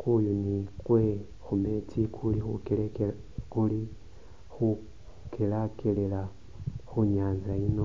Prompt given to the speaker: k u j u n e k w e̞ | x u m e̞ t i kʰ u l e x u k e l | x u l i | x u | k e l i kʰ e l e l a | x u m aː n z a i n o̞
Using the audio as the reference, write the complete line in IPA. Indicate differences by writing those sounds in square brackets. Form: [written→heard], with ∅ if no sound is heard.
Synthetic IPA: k u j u n [e→i] k w e̞ | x u m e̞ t i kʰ u l [e→i] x u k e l | [x→k] u l i | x u | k e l [i→a] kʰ e l e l a | x u [m→ɲ] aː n z a i n o̞

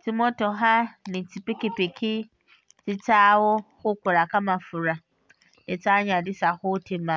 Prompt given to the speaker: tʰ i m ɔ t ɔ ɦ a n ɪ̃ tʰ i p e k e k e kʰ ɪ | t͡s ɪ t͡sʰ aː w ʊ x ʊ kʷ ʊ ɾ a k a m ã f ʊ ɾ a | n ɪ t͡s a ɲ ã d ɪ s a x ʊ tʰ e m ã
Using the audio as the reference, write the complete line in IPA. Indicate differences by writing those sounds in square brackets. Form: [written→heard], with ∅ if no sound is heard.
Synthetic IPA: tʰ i m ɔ t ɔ ɦ a n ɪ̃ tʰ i p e k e [k→p] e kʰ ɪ | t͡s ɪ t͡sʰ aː w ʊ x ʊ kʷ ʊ ɾ a k a m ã f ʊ ɾ a | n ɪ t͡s a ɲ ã d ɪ s a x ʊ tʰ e m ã

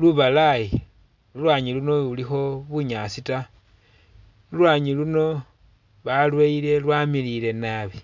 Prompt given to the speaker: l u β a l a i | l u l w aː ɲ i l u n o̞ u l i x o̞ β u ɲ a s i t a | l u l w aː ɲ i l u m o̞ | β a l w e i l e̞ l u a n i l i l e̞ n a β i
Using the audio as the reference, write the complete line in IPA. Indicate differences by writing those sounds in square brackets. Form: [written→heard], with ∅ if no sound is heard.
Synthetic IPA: l u β a l a i | l u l w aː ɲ i l u n o̞ u l i x o̞ β u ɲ a s i t a | l u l w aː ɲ i l u [m→n] o̞ | β a l w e i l e̞ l [u→w] a [n→m] i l i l e̞ n a β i

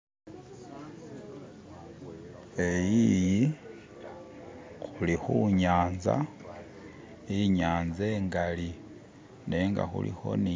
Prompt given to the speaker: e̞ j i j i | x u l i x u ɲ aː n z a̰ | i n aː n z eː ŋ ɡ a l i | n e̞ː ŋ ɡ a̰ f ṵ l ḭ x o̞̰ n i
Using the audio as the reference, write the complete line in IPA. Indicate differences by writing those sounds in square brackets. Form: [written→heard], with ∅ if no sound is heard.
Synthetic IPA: e̞ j i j i | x u l i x u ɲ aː n z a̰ | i [n→ɲ] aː n z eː ŋ ɡ a l i | n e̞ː ŋ ɡ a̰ [f→x] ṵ l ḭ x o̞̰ n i

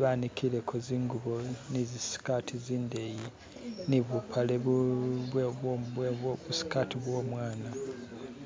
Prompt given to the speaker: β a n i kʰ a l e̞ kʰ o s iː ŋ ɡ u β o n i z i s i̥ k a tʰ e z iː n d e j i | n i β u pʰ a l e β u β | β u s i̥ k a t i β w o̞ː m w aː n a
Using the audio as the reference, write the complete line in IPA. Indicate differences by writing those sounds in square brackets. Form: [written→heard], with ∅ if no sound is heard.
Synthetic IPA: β a n i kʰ [a→i] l e̞ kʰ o [s→z] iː ŋ ɡ u β o n i z i s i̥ k a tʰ [e→i] z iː n d e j i | n i β u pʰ a l e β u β | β u s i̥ k a t i β w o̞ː m w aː n a

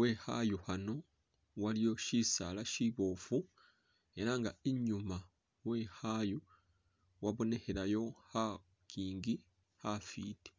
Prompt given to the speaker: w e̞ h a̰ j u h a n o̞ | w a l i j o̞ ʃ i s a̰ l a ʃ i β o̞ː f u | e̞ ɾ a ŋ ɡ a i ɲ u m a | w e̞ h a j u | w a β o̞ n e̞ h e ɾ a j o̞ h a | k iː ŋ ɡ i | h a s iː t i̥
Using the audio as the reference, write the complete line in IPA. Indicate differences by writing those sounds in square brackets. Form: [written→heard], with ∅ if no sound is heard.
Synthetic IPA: w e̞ h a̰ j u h a n o̞ | w a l i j o̞ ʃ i s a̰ l a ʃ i β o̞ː f u | e̞ ɾ a ŋ ɡ a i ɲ u m a | w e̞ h a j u | w a β o̞ n e̞ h e ɾ a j o̞ h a | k iː ŋ ɡ i | h a [s→f] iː t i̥

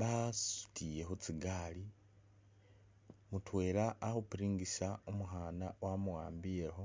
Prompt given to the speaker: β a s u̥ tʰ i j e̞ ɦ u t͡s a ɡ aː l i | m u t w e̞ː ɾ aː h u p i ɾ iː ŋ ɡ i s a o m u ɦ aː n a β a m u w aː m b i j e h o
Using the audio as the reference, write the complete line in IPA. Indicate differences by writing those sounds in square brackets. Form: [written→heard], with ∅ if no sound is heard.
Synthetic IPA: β a s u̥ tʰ i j e̞ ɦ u t͡s [a→i] ɡ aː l i | m u t w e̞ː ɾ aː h u p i ɾ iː ŋ ɡ i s a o m u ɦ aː n a [β→w] a m u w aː m b i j e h o

